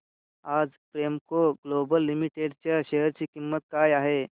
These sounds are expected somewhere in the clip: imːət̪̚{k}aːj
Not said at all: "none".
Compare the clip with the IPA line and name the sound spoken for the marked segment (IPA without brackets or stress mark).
k